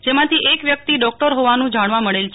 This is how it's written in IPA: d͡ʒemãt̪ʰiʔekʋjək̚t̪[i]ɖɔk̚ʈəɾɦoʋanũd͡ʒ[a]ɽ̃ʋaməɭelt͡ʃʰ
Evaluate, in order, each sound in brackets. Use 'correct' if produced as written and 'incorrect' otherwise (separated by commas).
correct, correct